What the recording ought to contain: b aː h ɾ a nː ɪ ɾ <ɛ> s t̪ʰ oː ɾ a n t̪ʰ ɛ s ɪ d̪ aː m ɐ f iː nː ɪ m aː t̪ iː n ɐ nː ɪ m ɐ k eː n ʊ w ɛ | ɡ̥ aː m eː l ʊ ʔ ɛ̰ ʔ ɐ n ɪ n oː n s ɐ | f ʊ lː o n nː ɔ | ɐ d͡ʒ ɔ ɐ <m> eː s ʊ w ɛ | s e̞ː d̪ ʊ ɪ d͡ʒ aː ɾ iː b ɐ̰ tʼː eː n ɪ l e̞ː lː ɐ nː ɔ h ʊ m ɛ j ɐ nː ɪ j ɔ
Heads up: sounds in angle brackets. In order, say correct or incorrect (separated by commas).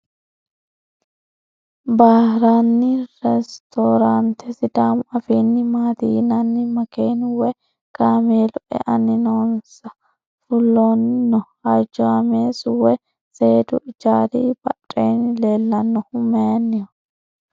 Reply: correct, correct